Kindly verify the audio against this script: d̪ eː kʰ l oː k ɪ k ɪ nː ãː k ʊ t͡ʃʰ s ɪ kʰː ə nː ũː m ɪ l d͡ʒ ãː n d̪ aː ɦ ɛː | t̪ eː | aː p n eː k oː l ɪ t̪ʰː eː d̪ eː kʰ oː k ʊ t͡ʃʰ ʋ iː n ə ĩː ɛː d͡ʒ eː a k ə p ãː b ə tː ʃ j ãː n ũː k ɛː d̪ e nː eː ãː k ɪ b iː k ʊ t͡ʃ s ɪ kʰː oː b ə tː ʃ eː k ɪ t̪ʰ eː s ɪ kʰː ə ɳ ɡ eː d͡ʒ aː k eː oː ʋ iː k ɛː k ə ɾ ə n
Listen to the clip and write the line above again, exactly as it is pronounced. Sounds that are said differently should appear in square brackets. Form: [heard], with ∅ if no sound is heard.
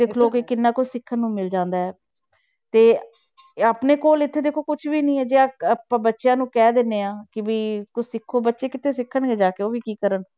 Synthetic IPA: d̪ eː kʰ l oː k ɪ k ɪ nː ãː k ʊ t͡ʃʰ s ɪ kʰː ə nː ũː m ɪ l d͡ʒ ãː n d̪ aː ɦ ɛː | t̪ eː | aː p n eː k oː l ɪ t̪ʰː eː d̪ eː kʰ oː k ʊ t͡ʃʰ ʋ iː n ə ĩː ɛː d͡ʒ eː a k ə p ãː b ə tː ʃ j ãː n ũː k ɛː d̪ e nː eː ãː k ɪ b iː k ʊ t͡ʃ s ɪ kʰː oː b ə tː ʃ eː k ɪ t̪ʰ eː s ɪ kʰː ə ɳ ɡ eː d͡ʒ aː k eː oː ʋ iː k [iː] k ə ɾ ə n

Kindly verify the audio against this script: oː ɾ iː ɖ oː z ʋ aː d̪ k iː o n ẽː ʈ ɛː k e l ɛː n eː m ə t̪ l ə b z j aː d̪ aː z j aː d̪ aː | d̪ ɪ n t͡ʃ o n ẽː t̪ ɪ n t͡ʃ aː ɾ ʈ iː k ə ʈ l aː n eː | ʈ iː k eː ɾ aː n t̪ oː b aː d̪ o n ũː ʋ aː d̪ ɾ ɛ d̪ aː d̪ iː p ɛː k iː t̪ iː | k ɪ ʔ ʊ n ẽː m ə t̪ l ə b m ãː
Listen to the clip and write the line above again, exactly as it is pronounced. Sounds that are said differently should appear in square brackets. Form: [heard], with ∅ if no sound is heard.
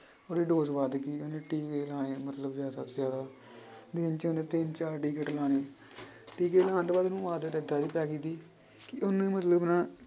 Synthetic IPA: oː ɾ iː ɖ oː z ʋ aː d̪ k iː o n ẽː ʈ [iː] k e l [aː] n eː m ə t̪ l ə b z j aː d̪ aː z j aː d̪ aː | d̪ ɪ n t͡ʃ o n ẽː t̪ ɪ n t͡ʃ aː ɾ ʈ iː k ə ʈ l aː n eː | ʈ iː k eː [l] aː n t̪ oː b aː d̪ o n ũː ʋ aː d̪ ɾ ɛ d̪ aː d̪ iː p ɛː k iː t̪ iː | k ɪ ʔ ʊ n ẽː m ə t̪ l ə b [n] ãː

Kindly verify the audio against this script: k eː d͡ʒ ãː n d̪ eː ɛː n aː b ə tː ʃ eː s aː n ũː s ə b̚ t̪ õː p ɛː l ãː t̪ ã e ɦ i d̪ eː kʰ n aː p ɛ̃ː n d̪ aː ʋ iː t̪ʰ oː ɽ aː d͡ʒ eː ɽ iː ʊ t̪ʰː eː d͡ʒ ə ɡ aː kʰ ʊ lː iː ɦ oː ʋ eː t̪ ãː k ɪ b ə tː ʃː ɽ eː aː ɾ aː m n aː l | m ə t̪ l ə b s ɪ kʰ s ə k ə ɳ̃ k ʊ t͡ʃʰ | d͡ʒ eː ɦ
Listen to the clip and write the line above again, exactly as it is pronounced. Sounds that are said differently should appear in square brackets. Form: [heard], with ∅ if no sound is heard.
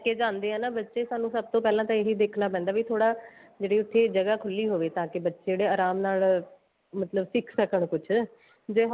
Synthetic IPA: k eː d͡ʒ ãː n d̪ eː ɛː n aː b ə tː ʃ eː s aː n ũː s ə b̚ t̪ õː p ɛː l ãː t̪ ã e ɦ i d̪ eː kʰ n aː p ɛ̃ː n d̪ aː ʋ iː t̪ʰ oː ɽ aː d͡ʒ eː ɽ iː ʊ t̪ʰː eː d͡ʒ ə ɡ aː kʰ ʊ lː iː ɦ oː ʋ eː t̪ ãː k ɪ b ə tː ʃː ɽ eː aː ɾ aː m n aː l | m ə t̪ l ə b s ɪ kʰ s ə k ə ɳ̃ k ʊ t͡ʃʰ | d͡ʒ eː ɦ

